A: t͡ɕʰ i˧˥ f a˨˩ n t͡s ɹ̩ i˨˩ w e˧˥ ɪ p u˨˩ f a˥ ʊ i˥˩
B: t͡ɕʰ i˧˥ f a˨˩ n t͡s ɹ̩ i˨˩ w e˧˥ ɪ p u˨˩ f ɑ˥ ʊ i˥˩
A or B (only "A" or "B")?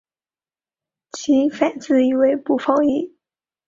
B